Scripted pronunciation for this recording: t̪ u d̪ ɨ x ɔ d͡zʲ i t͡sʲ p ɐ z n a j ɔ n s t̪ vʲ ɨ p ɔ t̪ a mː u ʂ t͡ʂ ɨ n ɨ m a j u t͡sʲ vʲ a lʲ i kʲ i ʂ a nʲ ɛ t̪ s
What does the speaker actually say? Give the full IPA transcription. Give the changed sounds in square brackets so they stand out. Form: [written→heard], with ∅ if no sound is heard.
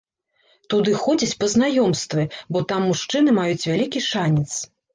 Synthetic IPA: t̪ u d̪ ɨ x ɔ d͡zʲ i t͡sʲ p ɐ z n a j ɔ [n→m] s t̪ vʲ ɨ [p→b] ɔ t̪ a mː u ʂ t͡ʂ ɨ n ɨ m a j u t͡sʲ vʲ a lʲ i kʲ i ʂ a nʲ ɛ t̪ s